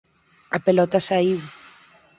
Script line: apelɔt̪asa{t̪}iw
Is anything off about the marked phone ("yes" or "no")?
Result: yes